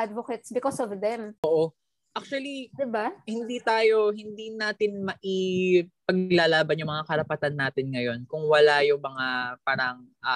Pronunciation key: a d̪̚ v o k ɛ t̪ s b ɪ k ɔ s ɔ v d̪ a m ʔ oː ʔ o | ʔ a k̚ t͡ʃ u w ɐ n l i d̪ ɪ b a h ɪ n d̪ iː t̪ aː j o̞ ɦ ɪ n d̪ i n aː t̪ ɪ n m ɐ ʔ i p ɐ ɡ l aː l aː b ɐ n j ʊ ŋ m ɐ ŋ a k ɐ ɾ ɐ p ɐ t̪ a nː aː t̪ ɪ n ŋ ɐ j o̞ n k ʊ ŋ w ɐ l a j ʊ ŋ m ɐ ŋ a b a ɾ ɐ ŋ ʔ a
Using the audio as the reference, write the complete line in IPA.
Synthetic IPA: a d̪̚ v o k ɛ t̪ s b ɪ k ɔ s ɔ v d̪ ɛ m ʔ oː ʔ o | ʔ a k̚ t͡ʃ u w ɐ l i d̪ ɪ b a h ɪ n d̪ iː t̪ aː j o̞ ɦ ɪ n d̪ i n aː t̪ ɪ n m ɐ ʔ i p ɐ ɡ l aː l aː b ɐ n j ʊ ŋ m ɐ ŋ a k ɐ ɾ ɐ p ɐ t̪ a nː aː t̪ ɪ n ŋ ɐ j o̞ n k ʊ ŋ w ɐ l a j ʊ ŋ m ɐ ŋ a p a ɾ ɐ ŋ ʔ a